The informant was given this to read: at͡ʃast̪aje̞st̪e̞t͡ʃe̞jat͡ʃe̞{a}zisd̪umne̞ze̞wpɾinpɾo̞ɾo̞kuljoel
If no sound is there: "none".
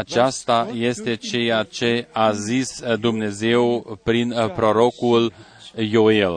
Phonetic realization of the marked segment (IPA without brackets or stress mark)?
a